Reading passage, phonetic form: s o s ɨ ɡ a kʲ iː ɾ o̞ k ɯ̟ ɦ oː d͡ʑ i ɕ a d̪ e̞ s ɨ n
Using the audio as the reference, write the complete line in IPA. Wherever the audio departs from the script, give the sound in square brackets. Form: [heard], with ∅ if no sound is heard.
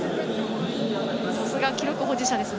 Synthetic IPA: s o s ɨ ɡ a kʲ [i] ɾ o̞ k ɯ̟ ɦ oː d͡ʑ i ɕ a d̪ e̞ s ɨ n